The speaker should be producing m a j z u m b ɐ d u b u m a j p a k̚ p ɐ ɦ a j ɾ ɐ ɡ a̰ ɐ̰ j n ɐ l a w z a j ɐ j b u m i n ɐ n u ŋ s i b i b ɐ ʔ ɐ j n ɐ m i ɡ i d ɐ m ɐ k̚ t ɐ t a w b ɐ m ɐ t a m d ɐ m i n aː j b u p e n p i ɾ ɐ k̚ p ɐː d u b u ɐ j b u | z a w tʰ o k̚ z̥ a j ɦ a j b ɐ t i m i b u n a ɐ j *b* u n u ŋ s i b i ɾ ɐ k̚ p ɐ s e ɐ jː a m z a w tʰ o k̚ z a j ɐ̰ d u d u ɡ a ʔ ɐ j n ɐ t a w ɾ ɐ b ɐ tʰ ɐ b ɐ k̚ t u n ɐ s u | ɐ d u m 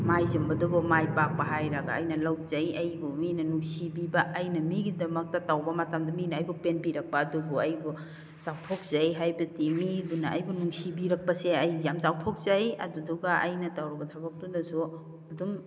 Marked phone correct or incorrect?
correct